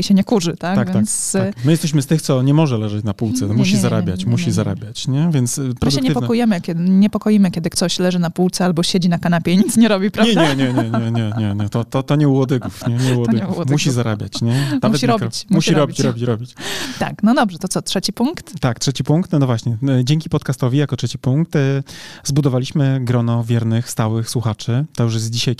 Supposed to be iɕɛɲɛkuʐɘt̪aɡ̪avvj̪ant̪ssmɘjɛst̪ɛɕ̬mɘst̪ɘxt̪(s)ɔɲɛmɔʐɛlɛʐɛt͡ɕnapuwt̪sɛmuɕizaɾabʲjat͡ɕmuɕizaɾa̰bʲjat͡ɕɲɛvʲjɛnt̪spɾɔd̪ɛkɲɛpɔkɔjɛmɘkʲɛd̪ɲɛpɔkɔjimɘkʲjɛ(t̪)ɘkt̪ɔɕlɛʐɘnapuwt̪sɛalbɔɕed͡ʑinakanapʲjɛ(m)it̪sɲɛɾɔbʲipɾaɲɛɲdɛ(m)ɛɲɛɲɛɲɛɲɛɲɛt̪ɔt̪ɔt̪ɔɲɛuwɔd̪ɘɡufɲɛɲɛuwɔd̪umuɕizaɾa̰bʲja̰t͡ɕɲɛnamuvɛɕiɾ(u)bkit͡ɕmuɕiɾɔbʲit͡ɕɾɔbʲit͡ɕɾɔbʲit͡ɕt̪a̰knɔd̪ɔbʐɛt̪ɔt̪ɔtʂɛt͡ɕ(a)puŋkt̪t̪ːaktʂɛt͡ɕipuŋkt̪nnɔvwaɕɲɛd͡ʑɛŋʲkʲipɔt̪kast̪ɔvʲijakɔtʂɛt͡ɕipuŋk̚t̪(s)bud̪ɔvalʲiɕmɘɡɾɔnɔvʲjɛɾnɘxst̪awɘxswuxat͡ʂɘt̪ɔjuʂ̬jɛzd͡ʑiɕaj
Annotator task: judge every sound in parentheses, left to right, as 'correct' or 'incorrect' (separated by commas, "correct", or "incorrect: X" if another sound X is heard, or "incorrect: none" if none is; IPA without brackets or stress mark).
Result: correct, incorrect: d̪, incorrect: ɲ, incorrect: ɲ, incorrect: ɔ, incorrect: i, incorrect: z